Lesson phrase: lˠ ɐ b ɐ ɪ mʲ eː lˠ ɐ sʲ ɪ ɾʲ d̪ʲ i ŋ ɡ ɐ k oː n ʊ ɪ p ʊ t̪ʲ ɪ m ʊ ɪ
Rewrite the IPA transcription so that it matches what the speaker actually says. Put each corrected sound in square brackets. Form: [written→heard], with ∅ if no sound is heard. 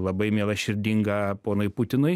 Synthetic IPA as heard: lˠ ɐ b ɐ ɪ mʲ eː lˠ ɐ [sʲ→ʃʲ] ɪ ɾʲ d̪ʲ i ŋ ɡ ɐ [k→p] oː n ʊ ɪ p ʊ t̪ʲ ɪ [m→n] ʊ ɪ

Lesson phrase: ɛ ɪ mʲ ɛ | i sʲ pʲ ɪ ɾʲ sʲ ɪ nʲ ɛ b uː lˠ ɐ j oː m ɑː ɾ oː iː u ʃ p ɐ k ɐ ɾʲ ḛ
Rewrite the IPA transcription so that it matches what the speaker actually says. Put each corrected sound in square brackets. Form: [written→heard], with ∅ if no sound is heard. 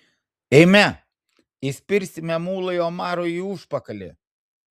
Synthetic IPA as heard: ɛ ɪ mʲ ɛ | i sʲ pʲ ɪ ɾʲ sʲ ɪ [nʲ→mʲ] ɛ [b→m] uː lˠ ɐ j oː m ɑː ɾ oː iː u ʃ p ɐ k ɐ [ɾʲ→lʲ] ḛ

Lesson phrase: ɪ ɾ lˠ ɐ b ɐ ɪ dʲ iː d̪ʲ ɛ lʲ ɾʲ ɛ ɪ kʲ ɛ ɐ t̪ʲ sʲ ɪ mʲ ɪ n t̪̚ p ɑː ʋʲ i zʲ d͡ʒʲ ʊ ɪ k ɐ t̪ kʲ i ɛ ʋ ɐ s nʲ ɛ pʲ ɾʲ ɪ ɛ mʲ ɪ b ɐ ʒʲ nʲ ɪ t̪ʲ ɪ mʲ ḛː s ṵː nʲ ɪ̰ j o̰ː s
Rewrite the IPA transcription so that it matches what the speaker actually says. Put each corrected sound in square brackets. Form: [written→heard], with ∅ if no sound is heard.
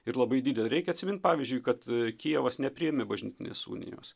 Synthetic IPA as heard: ɪ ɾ lˠ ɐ b ɐ ɪ dʲ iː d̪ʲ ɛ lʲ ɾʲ ɛ ɪ kʲ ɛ ɐ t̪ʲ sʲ ɪ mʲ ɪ n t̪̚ p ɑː ʋʲ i zʲ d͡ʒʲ ʊ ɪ k ɐ t̪ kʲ i ɛ ʋ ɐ s nʲ ɛ pʲ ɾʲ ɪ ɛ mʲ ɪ b ɐ ʒʲ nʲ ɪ t̪ʲ ɪ [mʲ→nʲ] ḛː s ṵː nʲ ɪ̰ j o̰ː s

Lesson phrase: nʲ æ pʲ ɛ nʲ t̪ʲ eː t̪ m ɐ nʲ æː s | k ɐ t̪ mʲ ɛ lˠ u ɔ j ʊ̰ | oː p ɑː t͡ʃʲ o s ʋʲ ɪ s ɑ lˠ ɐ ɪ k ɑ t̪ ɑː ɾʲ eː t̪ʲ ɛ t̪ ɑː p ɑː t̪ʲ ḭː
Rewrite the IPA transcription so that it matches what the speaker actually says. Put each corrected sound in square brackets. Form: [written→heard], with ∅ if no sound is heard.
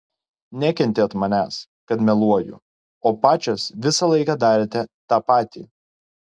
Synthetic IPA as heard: nʲ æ [pʲ→kʲ] ɛ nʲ t̪ʲ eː t̪ m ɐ nʲ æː s | k ɐ t̪ mʲ ɛ lˠ u ɔ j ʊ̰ | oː p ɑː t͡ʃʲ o s ʋʲ ɪ s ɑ lˠ ɐ ɪ k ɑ [t̪→d̪] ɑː ɾʲ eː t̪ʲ ɛ t̪ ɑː p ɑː t̪ʲ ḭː

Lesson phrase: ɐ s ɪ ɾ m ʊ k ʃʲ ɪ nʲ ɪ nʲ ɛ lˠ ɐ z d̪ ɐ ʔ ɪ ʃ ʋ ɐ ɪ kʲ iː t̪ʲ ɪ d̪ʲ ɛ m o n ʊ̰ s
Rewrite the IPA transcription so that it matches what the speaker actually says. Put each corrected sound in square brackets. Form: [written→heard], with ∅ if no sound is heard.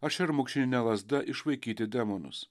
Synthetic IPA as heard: ɐ [s→ʃ] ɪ ɾ m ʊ k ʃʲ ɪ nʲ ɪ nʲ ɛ lˠ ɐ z d̪ ɐ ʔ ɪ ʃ ʋ ɐ ɪ kʲ iː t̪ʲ ɪ d̪ʲ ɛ m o n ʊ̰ s

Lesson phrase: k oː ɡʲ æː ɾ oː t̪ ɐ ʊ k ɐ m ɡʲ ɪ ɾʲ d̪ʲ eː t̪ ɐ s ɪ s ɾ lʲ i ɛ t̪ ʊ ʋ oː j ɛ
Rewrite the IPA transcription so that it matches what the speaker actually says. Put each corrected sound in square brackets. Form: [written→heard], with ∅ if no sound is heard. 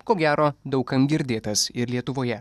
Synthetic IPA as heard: k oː ɡʲ æː ɾ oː [t̪→d̪] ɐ ʊ k ɐ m ɡʲ ɪ ɾʲ d̪ʲ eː t̪ ɐ s ɪ [s→∅] ɾ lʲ i ɛ t̪ ʊ ʋ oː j ɛ

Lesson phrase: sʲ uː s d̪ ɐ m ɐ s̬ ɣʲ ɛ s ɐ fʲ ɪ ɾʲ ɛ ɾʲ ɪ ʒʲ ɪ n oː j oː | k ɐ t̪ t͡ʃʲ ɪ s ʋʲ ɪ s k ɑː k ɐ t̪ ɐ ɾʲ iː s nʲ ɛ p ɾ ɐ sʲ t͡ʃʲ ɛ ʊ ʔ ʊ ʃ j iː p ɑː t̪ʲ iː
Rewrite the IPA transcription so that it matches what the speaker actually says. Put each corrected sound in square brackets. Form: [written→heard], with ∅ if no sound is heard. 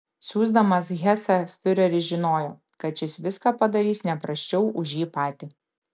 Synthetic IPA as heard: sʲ uː [s→z] d̪ ɐ m ɐ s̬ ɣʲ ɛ s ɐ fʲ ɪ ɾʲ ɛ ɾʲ ɪ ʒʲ ɪ n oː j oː | k ɐ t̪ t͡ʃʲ ɪ s ʋʲ ɪ s k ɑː [k→p] ɐ [t̪→d̪] ɐ ɾʲ iː s nʲ ɛ p ɾ ɐ sʲ t͡ʃʲ ɛ ʊ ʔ ʊ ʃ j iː p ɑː t̪ʲ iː

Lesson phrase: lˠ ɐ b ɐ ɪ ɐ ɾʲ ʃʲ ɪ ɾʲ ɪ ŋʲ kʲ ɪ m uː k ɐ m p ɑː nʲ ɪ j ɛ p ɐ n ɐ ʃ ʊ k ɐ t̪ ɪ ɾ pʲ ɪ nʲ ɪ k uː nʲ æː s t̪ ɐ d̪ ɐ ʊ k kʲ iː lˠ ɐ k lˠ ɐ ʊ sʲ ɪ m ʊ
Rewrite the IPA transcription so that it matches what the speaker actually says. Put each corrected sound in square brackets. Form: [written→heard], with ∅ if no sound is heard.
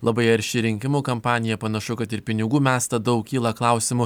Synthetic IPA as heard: lˠ ɐ b ɐ ɪ ɐ ɾʲ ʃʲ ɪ ɾʲ ɪ ŋʲ kʲ ɪ m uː k ɐ m p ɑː nʲ ɪ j ɛ p ɐ n ɐ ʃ ʊ k ɐ t̪ ɪ ɾ pʲ ɪ nʲ ɪ [k→ɡ] uː [nʲ→mʲ] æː s t̪ ɐ d̪ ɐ ʊ k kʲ iː lˠ ɐ k lˠ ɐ ʊ sʲ ɪ m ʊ

